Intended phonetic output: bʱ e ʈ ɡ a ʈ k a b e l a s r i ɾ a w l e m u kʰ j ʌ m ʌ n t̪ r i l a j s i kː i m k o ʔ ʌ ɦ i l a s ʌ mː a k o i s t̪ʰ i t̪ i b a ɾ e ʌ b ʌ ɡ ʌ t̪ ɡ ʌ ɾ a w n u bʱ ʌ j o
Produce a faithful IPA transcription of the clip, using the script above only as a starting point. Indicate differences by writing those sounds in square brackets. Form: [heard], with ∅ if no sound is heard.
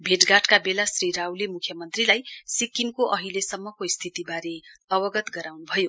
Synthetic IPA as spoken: bʱ e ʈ ɡ a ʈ k a b e l a s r i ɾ a w l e m u kʰ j ʌ m ʌ n t̪ r i l a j s i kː i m k o ʔ ʌ ɦ i l [e] s ʌ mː [ʌ] k o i s t̪ʰ i t̪ i b a ɾ e ʌ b ʌ ɡ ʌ t̪ ɡ ʌ ɾ a w n u bʱ ʌ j o

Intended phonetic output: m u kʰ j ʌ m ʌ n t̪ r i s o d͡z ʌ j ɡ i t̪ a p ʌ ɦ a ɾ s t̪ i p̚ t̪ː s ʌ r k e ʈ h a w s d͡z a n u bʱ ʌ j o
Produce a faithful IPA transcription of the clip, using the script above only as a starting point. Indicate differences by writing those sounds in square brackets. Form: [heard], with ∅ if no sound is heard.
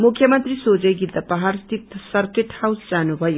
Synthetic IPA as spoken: m u kʰ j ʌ m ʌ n t̪ r i s o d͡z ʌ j ɡ i t̪ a p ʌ ɦ a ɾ s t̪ i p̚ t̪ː s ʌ r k e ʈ h a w s d͡z a n u bʱ ʌ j o

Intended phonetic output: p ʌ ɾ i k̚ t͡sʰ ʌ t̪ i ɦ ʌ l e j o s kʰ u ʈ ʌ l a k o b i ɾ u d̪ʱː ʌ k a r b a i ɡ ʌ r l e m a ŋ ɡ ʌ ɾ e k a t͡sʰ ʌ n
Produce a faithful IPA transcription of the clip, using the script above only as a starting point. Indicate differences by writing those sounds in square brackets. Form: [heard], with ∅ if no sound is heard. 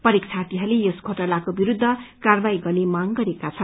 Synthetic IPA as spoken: p ʌ ɾ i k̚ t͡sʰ [a] t̪ i ɦ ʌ l e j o s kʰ [o] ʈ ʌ l a k o b i ɾ u d̪ʱː ʌ k a r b a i ɡ ʌ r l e m a ŋ ɡ ʌ ɾ e k a t͡sʰ ʌ n

